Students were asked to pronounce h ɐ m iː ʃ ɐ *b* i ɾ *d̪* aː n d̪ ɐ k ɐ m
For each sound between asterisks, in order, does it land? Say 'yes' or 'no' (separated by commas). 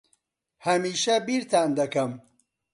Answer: yes, no